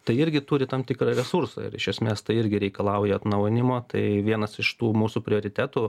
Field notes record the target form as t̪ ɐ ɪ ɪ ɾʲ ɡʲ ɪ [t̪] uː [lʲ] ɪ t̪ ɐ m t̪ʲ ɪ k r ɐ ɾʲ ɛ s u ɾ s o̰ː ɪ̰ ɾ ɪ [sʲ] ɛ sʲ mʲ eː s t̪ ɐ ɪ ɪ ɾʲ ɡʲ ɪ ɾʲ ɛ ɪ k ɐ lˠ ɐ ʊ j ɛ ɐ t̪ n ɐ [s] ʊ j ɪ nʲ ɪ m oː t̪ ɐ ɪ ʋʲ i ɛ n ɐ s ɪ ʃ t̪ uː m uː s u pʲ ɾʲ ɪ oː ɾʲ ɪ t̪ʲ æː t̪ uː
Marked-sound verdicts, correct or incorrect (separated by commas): correct, incorrect, incorrect, incorrect